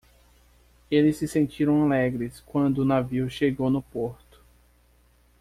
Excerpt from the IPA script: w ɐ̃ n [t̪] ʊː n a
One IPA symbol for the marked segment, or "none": d̪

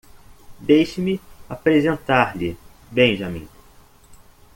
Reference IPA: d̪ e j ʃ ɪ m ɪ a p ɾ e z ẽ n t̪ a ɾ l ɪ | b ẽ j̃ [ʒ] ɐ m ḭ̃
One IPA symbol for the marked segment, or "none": ʒ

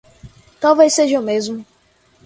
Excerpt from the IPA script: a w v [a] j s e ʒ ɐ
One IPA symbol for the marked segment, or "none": e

